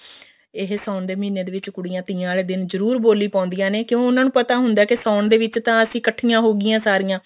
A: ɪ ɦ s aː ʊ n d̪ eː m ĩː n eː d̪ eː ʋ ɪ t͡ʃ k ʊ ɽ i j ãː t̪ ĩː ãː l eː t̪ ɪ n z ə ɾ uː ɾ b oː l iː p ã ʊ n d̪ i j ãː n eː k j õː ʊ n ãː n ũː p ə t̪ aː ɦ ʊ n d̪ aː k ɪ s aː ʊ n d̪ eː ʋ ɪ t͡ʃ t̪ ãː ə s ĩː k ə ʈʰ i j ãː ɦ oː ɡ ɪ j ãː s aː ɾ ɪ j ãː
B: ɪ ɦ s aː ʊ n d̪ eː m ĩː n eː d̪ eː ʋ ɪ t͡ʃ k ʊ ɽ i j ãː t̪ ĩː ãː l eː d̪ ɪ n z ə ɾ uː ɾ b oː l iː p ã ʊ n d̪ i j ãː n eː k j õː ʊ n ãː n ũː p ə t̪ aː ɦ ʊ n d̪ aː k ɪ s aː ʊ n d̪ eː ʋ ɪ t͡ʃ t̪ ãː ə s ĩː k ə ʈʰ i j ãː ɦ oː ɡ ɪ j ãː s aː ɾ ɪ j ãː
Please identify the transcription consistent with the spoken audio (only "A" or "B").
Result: B